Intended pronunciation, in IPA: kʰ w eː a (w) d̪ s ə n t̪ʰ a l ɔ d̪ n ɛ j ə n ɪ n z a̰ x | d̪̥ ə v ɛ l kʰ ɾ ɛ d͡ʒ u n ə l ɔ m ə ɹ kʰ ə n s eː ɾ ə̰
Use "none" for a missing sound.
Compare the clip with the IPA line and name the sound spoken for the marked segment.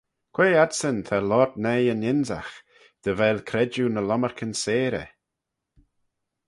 none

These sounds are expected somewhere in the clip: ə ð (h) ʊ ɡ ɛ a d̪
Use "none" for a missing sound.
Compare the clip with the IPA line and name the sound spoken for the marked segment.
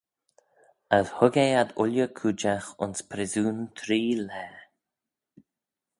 h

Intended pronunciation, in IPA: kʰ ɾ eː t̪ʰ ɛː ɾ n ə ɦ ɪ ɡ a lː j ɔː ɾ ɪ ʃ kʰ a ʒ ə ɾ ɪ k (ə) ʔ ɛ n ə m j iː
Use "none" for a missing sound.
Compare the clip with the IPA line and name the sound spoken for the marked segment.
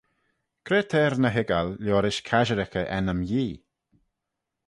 ə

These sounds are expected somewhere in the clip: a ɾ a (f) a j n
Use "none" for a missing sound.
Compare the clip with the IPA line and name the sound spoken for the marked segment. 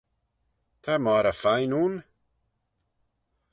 f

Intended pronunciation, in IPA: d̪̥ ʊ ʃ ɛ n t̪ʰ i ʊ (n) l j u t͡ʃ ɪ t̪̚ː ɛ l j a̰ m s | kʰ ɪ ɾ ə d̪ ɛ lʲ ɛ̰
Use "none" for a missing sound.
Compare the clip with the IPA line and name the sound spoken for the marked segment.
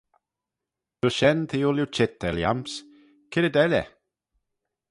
none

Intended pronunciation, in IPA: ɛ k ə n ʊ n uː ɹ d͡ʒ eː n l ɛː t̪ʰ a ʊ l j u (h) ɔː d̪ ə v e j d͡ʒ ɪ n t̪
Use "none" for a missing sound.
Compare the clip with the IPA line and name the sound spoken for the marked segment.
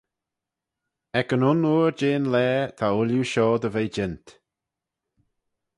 ʃ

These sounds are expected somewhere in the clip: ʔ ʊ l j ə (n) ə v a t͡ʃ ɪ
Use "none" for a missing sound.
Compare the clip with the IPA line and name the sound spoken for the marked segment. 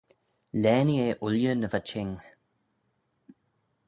n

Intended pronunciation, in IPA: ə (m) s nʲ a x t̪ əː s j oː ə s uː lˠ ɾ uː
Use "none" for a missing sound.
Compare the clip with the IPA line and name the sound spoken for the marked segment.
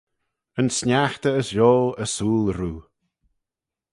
n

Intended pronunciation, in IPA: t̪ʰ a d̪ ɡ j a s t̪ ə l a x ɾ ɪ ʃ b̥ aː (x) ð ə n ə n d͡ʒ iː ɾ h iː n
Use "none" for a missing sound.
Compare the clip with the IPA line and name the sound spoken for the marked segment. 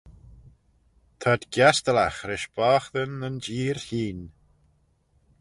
x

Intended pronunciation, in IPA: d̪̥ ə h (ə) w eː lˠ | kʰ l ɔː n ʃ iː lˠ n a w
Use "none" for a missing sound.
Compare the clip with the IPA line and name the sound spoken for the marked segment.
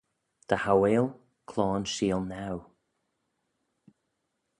a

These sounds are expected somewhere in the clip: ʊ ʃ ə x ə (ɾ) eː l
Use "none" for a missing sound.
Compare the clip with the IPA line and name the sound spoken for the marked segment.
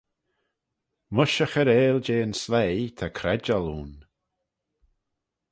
ɾ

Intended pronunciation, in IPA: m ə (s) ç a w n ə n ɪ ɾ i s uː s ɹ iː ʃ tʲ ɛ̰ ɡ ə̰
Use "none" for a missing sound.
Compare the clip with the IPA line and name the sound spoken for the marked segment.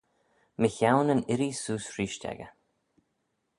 none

